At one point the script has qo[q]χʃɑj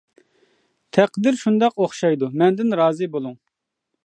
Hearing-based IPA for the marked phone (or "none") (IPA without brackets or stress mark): none